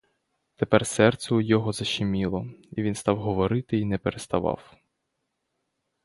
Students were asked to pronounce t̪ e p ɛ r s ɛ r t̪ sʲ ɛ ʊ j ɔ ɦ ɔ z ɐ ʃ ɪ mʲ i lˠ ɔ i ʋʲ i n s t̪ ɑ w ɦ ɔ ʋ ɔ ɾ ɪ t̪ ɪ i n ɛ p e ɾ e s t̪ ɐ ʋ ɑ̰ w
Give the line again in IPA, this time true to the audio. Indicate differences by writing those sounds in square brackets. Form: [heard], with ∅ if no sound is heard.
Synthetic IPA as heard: t̪ e p ɛ r s ɛ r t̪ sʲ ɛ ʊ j ɔ ɦ ɔ z ɐ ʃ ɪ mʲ i lˠ ɔ i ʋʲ i n s t̪ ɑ w ɦ ɔ ʋ ɔ ɾ ɪ t̪ ɪ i n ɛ p e ɾ e s t̪ ɐ ʋ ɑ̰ w

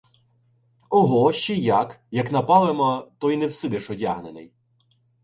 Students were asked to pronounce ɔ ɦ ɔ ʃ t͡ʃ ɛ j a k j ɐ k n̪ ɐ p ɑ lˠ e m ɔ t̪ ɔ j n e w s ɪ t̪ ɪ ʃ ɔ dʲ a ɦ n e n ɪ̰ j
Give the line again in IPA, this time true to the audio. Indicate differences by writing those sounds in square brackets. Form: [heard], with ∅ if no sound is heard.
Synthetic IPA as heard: ɔ ɦ ɔ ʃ t͡ʃ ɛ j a k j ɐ k n̪ ɐ p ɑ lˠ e m ɔ t̪ ɔ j n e w s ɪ [d̪] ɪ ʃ ɔ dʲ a ɦ n e n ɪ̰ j

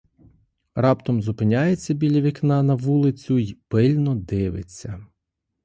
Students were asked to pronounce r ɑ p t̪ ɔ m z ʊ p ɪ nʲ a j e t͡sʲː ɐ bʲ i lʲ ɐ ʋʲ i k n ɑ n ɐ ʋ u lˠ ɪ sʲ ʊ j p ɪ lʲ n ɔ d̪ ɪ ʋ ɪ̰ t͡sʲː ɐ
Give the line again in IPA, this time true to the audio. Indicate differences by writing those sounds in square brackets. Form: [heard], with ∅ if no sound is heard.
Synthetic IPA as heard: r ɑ p t̪ ɔ m z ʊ p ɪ nʲ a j e t͡sʲː ɐ bʲ i lʲ ɐ ʋʲ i k n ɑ n ɐ ʋ u lˠ ɪ [t͡sʲ] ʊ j p ɪ lʲ n ɔ d̪ ɪ ʋ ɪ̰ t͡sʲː ɐ

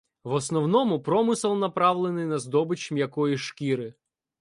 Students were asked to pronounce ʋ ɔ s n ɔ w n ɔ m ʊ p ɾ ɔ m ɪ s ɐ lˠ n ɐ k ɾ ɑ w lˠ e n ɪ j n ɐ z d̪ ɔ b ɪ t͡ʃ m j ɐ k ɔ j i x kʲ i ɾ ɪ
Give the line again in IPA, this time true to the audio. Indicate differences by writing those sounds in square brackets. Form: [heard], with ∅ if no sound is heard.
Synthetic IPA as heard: ʋ ɔ s n ɔ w n ɔ m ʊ p ɾ ɔ m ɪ s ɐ lˠ n ɐ [p] ɾ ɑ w lˠ e n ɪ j n ɐ z d̪ ɔ b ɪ t͡ʃ m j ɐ k ɔ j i [ʃ] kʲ i ɾ ɪ

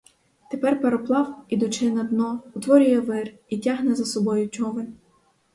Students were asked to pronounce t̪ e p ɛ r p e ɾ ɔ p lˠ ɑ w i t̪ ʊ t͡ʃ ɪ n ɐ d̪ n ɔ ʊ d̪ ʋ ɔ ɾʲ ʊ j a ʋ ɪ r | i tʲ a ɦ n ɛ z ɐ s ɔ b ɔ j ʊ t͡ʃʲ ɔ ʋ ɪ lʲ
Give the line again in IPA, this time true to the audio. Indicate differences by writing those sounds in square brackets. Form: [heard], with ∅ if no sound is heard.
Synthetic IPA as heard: t̪ e p ɛ r p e ɾ ɔ p lˠ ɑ w i [d̪] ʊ t͡ʃ ɪ n ɐ d̪ n ɔ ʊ [t̪] ʋ ɔ ɾʲ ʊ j [ɛ] ʋ ɪ r | i tʲ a ɦ n ɛ z ɐ s ɔ b ɔ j ʊ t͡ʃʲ ɔ ʋ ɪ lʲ

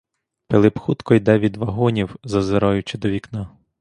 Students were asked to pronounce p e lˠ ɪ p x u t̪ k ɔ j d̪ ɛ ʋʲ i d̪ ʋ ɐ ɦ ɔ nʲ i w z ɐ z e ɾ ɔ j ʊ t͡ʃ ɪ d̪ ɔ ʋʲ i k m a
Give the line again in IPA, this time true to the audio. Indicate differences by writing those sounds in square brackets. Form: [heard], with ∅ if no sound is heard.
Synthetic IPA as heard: p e lˠ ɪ p x u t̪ k ɔ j d̪ ɛ ʋʲ i d̪ ʋ ɐ ɦ ɔ nʲ i w z ɐ z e ɾ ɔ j ʊ t͡ʃ ɪ d̪ ɔ ʋʲ i k [n] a

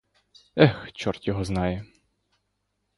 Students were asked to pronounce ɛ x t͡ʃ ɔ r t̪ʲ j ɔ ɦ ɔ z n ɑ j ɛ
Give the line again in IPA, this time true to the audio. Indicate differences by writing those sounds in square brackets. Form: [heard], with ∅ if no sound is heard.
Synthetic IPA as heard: ɛ x t͡ʃ ɔ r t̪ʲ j ɔ ɦ ɔ z n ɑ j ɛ

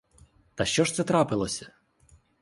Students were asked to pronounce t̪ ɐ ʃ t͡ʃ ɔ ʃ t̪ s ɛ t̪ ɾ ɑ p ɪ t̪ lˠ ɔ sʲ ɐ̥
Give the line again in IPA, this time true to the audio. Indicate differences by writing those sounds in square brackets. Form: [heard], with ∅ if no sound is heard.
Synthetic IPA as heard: t̪ ɐ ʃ t͡ʃ ɔ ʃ t̪ s ɛ t̪ ɾ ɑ p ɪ [∅] lˠ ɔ sʲ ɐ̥

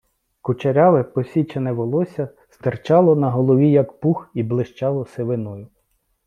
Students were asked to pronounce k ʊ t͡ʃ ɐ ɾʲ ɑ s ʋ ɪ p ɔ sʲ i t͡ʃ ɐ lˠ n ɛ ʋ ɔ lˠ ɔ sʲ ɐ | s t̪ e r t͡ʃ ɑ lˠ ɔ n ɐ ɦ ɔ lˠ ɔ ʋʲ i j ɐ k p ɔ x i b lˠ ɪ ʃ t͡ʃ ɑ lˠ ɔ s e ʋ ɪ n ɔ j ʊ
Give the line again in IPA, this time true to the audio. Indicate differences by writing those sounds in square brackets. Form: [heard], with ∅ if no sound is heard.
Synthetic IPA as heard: k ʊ t͡ʃ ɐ ɾʲ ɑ [∅] ʋ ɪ p ɔ sʲ i t͡ʃ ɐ [∅] n ɛ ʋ ɔ lˠ ɔ sʲ ɐ | s t̪ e r t͡ʃ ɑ lˠ ɔ n ɐ ɦ ɔ lˠ ɔ ʋʲ i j ɐ k p [u] x i b lˠ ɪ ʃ t͡ʃ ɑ lˠ ɔ s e ʋ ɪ n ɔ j ʊ

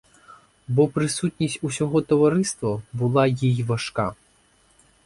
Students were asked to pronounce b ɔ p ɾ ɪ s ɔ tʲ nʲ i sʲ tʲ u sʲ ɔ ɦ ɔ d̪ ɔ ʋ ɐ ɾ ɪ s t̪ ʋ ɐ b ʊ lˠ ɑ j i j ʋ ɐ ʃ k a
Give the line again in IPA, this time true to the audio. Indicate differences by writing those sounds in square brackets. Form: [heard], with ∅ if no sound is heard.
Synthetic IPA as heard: b ɔ p ɾ ɪ s [u] tʲ nʲ i sʲ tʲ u sʲ ɔ ɦ ɔ [t̪] ɔ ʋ ɐ ɾ ɪ s t̪ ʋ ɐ b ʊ lˠ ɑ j i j ʋ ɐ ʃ k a

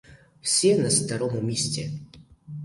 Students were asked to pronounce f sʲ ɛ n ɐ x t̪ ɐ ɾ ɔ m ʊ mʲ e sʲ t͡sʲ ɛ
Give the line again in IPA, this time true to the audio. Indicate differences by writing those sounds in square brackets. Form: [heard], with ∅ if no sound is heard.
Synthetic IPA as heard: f sʲ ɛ n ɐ [s] t̪ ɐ ɾ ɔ m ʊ mʲ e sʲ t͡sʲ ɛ

